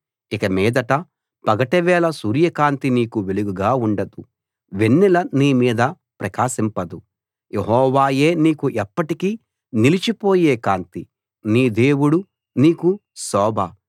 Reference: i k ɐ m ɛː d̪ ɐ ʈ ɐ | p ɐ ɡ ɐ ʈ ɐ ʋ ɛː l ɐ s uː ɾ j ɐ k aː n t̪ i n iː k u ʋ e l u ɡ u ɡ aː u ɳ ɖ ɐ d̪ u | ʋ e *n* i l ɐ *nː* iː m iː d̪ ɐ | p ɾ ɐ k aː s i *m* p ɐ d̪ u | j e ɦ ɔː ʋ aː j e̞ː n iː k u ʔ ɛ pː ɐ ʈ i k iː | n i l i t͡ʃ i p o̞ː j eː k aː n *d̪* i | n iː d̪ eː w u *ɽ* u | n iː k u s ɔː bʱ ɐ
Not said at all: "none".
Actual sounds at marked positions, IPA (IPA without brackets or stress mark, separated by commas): nː, n, m, t̪, ɽ